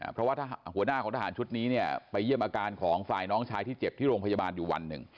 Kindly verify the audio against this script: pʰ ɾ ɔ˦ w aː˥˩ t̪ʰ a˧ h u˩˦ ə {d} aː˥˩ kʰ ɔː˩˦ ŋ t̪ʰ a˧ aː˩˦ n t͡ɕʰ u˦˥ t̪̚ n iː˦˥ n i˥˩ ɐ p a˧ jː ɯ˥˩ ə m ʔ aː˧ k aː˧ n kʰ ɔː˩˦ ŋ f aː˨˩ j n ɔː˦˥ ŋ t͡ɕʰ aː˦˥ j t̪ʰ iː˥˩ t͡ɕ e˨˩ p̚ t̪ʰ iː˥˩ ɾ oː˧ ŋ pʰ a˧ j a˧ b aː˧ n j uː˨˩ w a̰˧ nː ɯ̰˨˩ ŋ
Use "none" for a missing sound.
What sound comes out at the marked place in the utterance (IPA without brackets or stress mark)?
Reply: n